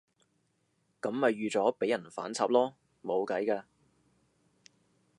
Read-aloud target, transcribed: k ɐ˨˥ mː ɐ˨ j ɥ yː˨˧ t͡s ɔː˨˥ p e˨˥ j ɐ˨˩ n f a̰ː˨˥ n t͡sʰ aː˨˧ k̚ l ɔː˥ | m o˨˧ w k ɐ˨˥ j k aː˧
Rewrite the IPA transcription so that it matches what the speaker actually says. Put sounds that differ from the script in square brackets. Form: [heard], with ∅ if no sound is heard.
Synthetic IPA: k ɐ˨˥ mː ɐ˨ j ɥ yː˨˧ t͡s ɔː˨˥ p e˨˥ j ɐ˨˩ n f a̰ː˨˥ n t͡sʰ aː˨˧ [p̚] l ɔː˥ | m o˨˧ w k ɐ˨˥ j k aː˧